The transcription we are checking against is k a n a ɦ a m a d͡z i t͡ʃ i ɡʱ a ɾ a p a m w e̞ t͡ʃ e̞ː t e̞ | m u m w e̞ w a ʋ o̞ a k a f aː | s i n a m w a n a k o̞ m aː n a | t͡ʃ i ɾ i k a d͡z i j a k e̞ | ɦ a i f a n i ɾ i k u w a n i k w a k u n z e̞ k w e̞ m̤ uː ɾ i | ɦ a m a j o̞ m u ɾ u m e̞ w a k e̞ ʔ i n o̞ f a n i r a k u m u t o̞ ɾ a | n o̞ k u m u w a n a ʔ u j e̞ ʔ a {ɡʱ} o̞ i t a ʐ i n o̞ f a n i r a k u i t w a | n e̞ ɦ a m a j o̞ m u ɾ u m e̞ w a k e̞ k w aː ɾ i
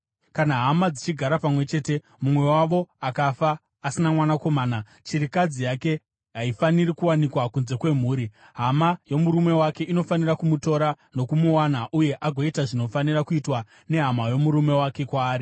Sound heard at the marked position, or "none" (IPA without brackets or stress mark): ɡʱ